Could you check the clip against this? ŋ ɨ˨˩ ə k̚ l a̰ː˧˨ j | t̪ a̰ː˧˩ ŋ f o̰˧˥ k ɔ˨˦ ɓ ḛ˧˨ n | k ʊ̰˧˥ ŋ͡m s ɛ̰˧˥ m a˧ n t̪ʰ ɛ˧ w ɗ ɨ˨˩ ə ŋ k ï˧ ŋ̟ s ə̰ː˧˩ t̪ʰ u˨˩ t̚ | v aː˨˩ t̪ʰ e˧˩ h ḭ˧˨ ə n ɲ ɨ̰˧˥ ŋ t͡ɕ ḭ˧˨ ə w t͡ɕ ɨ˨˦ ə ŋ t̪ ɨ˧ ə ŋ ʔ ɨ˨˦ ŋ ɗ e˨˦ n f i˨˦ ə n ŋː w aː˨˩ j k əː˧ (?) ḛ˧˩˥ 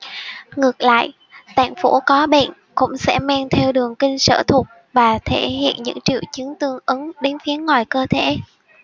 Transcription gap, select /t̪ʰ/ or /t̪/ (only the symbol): t̪ʰ